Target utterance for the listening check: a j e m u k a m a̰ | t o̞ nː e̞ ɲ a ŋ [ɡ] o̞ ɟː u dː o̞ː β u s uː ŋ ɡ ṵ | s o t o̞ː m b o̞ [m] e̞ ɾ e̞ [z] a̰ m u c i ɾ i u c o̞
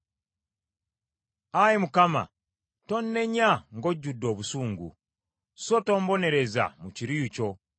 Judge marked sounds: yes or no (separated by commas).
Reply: yes, no, yes